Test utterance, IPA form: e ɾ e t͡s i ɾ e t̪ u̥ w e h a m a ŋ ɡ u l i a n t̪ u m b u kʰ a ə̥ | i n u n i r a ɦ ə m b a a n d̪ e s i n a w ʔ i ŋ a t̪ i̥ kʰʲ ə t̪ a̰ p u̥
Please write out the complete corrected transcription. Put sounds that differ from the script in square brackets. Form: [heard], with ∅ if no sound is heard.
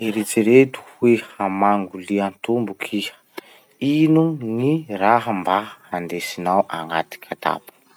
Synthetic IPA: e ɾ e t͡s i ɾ e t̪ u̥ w e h a m a ŋ ɡ u l i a n t̪ u m b u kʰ [i] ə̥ | i n u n i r a ɦ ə m b a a n d̪ e s i n a w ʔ [a] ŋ a t̪ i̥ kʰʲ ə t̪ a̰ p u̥